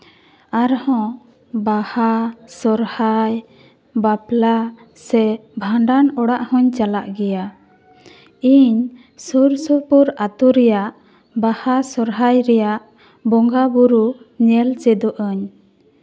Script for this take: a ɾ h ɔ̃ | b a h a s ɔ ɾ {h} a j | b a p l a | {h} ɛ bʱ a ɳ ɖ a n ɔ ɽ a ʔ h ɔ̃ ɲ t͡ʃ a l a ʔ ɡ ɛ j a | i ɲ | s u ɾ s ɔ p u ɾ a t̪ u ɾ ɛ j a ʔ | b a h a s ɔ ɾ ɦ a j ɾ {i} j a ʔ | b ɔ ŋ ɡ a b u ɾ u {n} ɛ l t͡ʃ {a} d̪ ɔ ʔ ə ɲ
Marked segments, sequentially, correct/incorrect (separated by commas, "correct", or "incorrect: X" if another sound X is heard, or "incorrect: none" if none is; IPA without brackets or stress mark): correct, incorrect: s, incorrect: ɛ, incorrect: ɲ, incorrect: ɛ